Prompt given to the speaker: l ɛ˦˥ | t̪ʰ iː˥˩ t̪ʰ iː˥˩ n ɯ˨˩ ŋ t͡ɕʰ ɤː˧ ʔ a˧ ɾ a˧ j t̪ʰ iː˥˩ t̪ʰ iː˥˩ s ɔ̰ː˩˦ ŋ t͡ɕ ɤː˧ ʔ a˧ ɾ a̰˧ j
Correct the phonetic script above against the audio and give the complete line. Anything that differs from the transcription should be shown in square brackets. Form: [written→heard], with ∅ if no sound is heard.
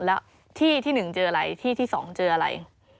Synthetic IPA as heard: l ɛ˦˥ | t̪ʰ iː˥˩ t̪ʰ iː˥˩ n ɯ˨˩ ŋ [t͡ɕʰ→t͡ɕ] ɤː˧ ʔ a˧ ɾ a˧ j t̪ʰ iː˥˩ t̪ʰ iː˥˩ s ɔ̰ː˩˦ ŋ t͡ɕ ɤː˧ ʔ a˧ ɾ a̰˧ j